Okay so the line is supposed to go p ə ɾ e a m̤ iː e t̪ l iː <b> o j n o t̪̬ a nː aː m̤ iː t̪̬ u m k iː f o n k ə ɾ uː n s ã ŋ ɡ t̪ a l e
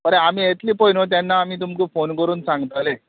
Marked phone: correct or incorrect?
incorrect